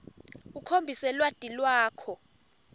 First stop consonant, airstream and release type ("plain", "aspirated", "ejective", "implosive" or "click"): aspirated